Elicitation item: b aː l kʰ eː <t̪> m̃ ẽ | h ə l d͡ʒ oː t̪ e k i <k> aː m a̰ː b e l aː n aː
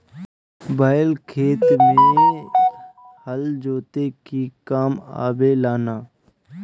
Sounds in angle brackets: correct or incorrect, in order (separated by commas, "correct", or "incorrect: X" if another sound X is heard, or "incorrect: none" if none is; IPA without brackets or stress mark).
correct, correct